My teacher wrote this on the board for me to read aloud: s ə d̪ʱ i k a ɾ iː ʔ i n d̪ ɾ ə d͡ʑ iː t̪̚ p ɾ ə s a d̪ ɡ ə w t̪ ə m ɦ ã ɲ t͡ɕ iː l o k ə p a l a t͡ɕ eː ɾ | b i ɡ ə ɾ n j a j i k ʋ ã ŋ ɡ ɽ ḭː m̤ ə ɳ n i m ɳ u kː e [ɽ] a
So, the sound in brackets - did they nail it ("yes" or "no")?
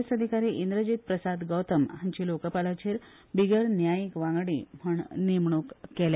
no